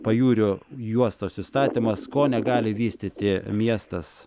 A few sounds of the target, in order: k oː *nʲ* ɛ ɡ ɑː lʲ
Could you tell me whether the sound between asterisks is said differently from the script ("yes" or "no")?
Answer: no